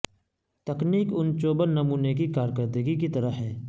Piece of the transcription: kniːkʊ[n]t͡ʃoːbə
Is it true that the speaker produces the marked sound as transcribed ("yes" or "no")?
yes